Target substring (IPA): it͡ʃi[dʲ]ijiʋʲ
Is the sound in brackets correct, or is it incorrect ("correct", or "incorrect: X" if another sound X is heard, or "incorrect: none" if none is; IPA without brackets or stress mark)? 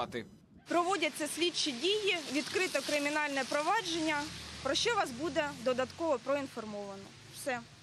correct